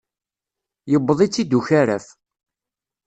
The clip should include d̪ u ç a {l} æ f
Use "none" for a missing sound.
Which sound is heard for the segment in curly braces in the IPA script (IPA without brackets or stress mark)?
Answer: ɾ